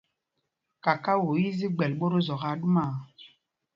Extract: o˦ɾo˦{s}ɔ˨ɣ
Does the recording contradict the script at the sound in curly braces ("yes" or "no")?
yes